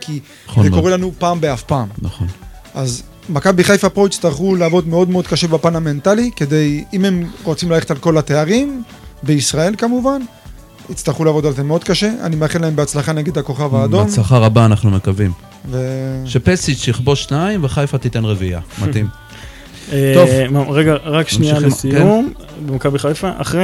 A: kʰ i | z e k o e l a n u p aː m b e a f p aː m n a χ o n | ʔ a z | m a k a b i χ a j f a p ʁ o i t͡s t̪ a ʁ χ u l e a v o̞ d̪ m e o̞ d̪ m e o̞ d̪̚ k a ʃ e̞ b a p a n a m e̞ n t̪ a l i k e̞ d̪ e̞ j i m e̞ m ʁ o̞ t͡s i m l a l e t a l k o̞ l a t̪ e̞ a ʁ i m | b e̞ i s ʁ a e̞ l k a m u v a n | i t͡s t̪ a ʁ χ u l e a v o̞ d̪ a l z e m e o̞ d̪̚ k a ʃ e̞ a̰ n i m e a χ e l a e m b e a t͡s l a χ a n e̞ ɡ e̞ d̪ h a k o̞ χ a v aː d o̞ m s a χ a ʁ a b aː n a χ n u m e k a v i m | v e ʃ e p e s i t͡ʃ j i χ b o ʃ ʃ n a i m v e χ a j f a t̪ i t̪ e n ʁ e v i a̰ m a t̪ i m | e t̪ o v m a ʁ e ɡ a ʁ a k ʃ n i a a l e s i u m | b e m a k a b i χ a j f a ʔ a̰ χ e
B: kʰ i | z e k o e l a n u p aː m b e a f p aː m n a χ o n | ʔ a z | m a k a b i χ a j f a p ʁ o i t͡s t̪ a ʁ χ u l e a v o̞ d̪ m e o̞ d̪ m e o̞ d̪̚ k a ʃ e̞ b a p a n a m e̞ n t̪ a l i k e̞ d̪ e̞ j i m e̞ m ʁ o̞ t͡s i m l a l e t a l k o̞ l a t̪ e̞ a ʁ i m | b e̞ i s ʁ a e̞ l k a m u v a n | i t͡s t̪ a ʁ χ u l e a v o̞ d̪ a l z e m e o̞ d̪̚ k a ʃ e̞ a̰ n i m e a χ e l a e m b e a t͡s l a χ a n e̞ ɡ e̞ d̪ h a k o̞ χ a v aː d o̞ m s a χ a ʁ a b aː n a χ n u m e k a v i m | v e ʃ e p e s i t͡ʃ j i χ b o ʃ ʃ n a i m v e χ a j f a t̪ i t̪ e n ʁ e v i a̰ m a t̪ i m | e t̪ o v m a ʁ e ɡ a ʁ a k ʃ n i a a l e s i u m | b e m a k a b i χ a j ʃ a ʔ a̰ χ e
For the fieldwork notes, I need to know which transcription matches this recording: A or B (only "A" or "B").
A